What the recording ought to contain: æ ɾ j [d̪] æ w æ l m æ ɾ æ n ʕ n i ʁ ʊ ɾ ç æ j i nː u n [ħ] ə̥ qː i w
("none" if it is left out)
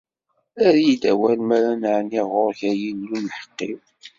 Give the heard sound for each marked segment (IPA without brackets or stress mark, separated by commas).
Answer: d̪, ħ